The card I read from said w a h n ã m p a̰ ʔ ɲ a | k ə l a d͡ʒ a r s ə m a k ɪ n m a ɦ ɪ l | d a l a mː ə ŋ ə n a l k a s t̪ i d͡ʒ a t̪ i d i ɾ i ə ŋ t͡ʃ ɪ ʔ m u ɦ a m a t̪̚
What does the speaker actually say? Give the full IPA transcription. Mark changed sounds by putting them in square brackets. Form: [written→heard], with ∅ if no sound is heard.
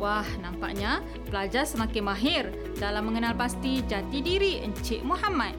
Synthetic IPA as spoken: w a h n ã m p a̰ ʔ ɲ a | [k→p] ə l a d͡ʒ a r s ə m a k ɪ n m a ɦ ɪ [l→r] | d a l a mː ə ŋ ə n a l [k→p] a s t̪ i d͡ʒ a t̪ i d i ɾ i ə [ŋ→ɲ] t͡ʃ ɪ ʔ m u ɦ a m a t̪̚